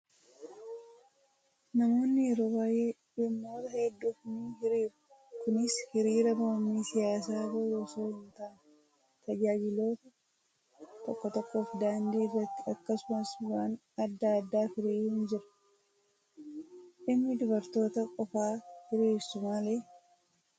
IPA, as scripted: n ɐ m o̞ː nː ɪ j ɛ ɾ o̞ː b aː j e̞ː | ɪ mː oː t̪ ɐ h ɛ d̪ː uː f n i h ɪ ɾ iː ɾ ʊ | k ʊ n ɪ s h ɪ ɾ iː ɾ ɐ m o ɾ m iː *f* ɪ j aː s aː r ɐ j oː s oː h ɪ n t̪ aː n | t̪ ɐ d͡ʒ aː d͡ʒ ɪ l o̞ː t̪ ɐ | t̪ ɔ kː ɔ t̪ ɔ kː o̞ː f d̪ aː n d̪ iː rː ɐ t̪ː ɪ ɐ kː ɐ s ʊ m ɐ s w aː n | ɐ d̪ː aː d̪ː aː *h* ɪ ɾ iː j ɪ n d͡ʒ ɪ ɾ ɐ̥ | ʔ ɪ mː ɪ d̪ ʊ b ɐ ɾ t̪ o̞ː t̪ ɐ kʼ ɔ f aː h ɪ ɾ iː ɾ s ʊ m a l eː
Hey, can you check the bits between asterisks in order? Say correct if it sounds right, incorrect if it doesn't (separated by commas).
incorrect, incorrect